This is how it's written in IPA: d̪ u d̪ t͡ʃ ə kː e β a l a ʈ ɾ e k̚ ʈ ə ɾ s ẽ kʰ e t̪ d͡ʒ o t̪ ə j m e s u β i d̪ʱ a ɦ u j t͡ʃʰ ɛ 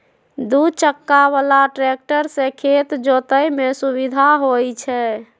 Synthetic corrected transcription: d̪ u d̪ t͡ʃ ə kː a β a l a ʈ ɾ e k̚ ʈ ə ɾ s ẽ kʰ e t̪ d͡ʒ o t̪ ə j m e s u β i d̪ʱ a ɦ o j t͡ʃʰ ɛ